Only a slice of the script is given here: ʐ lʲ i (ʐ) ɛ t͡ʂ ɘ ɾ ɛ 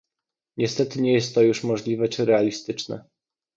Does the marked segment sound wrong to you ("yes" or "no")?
yes